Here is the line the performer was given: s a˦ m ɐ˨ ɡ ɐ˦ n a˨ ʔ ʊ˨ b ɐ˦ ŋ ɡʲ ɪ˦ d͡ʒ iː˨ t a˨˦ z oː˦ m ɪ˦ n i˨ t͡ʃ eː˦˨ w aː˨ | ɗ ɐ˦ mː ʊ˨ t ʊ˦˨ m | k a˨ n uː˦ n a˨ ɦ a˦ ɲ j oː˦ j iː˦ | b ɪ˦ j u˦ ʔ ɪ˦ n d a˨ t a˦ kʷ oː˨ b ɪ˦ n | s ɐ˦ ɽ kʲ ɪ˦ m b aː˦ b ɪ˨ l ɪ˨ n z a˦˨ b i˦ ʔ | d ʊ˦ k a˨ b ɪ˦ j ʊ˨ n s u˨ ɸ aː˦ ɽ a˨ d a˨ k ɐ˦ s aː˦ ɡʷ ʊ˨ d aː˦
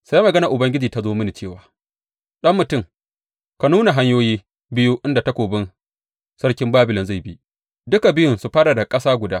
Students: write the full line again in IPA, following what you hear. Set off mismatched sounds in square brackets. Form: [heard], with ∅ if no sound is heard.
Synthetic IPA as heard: s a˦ m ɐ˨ ɡ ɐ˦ n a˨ ʔ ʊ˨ b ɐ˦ ŋ ɡʲ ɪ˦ d͡ʒ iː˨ t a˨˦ z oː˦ m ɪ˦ n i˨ t͡ʃ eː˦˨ w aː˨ | ɗ ɐ˦ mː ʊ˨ t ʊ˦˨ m | k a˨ n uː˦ n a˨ ɦ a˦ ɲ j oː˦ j iː˦ | b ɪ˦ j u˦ ʔ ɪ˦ n d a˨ t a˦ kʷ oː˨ b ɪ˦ n | s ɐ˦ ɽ kʲ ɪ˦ m b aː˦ b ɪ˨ l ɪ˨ n z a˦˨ b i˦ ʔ | d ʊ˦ k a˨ b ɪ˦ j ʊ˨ n s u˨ ɸ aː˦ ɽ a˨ d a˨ [kʼ] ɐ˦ s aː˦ ɡʷ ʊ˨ d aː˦